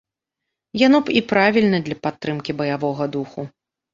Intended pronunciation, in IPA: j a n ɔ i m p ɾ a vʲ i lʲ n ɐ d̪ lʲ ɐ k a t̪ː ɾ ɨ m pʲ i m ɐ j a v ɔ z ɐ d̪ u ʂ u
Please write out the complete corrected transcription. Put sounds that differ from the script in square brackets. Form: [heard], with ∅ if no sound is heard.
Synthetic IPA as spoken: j a n ɔ i [∅] p ɾ a vʲ i lʲ n ɐ d̪ lʲ ɐ [p] a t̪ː ɾ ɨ m [kʲ] i [b] ɐ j a v ɔ [ɣ] ɐ d̪ u [x] u